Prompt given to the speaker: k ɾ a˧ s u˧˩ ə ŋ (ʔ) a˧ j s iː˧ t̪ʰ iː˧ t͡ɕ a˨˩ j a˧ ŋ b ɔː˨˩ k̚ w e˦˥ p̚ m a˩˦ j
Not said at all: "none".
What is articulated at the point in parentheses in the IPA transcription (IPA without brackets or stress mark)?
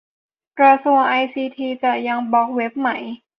ʔ